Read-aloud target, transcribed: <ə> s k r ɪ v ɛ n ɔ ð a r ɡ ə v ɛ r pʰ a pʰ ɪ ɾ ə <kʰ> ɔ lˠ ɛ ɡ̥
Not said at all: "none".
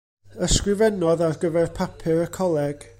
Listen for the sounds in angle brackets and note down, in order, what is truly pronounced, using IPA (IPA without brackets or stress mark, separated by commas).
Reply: ə, kʰ